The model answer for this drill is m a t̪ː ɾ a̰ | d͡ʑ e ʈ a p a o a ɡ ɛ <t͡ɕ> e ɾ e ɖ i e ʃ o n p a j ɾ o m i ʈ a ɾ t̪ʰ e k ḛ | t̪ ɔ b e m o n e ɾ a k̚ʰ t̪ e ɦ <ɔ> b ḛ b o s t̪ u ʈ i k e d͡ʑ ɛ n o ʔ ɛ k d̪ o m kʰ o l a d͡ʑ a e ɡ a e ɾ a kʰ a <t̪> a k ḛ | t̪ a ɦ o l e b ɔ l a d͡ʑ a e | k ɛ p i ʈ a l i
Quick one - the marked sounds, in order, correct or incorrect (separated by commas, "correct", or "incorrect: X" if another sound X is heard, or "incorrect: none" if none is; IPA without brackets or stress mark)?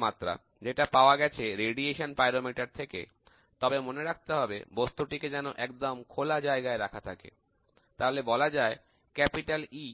incorrect: t͡ɕʰ, correct, incorrect: t̪ʰ